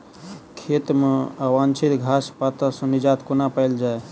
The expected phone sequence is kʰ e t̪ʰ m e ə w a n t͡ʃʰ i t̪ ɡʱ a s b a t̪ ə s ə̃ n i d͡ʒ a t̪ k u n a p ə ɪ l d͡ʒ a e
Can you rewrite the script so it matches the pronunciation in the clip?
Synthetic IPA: kʰ e t̪ m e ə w a n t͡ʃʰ i t̪ ɡʱ a s p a t̪ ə s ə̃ n i d͡ʒ a t̪ k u n a p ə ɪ l d͡ʒ a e